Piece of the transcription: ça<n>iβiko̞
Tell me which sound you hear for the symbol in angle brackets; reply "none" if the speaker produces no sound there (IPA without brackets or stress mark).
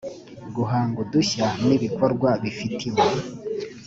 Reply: n